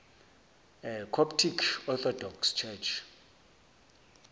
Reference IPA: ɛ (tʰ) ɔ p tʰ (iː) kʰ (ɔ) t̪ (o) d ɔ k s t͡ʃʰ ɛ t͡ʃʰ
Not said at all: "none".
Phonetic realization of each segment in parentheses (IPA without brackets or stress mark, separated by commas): kʰ, i, ɔ, ɔ